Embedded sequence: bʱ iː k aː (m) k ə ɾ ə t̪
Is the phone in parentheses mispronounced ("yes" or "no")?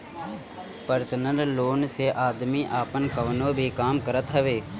no